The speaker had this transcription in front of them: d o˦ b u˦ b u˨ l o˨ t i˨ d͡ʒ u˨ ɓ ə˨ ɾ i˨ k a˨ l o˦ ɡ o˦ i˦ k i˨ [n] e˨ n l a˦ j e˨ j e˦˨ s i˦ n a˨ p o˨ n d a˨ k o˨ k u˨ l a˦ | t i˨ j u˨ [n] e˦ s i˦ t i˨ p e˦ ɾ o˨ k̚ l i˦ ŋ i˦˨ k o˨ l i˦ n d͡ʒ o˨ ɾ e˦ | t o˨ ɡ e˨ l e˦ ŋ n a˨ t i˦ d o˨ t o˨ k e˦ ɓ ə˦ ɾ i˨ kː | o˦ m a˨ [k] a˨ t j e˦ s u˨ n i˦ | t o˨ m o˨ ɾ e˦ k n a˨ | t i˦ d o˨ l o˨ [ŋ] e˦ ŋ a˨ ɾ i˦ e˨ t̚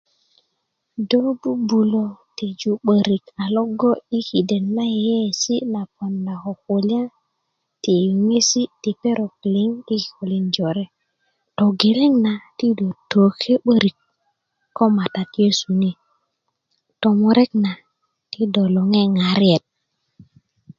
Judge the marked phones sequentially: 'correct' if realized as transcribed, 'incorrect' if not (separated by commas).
incorrect, incorrect, incorrect, correct